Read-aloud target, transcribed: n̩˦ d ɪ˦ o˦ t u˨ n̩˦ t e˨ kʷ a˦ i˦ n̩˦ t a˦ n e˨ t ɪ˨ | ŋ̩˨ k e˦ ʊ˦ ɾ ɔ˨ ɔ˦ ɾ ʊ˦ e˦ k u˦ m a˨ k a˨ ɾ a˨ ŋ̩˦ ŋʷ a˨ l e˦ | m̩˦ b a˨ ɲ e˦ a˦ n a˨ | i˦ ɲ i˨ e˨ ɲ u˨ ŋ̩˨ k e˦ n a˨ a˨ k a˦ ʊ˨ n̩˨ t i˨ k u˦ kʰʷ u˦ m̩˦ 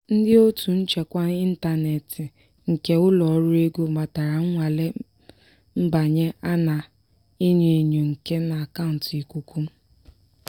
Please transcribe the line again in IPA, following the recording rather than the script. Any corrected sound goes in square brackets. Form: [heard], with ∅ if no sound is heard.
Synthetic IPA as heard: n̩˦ d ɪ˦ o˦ t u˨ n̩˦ [t͡ʃ] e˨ kʷ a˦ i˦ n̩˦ t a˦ n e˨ t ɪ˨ | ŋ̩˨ k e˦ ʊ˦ [l] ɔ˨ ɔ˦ ɾ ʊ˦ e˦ [ɡ] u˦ m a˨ [t] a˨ ɾ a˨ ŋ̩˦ ŋʷ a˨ l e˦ | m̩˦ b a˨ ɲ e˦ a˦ n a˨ | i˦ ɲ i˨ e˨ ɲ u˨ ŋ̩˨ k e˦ n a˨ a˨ k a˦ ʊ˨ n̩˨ t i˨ k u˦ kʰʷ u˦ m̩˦